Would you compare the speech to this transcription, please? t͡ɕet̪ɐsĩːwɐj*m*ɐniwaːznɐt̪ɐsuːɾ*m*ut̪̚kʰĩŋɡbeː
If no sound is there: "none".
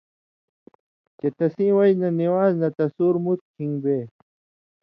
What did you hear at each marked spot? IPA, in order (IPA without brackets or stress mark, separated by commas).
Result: n, m